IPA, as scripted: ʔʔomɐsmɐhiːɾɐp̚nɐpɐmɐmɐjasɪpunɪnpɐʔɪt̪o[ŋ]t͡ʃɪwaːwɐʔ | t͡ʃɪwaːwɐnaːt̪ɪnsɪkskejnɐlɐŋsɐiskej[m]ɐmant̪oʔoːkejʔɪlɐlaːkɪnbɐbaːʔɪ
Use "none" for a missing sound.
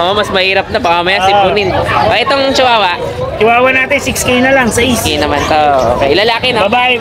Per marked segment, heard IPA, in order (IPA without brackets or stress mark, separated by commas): ŋ, n